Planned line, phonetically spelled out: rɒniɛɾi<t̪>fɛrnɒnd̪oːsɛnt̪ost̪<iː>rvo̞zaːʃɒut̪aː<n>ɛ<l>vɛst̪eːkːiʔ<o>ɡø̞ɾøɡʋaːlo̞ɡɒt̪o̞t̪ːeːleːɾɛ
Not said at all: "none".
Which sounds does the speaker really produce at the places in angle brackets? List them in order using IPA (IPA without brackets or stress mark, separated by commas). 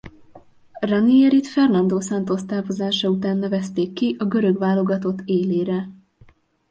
t̪, aː, nː, none, ɒ